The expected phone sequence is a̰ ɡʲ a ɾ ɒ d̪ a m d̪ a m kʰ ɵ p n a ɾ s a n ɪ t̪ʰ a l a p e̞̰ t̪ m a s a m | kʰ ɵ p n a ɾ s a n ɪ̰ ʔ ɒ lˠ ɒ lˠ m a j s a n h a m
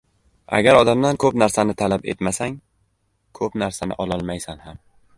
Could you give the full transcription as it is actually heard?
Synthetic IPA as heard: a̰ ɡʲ a ɾ ɒ d̪ a m d̪ a n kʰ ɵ p n a ɾ s a n ɪ t̪ʰ a l a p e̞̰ t̪ m a s a ŋ | kʰ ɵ p n a ɾ s a n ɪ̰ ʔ ɒ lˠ ɒ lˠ m a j s a n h a m